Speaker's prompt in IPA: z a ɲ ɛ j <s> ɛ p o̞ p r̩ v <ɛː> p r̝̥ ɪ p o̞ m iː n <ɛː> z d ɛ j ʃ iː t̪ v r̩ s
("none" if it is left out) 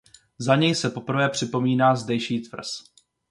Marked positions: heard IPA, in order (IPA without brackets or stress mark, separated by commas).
s, ɛː, aː